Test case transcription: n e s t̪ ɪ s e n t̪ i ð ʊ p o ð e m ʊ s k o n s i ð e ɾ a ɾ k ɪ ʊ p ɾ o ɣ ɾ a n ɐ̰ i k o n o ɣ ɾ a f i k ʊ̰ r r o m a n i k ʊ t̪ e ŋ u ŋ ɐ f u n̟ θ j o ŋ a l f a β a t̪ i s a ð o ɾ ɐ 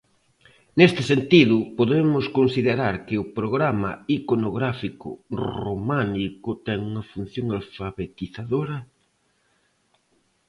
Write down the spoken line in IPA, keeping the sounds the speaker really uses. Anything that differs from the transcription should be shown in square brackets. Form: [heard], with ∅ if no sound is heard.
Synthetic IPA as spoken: n e s t̪ ɪ s e n t̪ i ð ʊ p o ð e m ʊ s k o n s i ð e ɾ a ɾ k ɪ ʊ p ɾ o ɣ ɾ a [m] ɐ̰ i k o n o ɣ ɾ a f i k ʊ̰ r r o m a n i k ʊ t̪ [ɛ] ŋ u ŋ ɐ f u n̟ θ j o ŋ a l f a β [e] t̪ i [θ] a ð o ɾ ɐ